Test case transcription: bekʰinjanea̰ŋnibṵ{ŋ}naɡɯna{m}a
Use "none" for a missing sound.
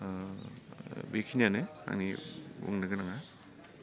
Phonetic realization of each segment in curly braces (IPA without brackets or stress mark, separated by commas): ŋ, ŋ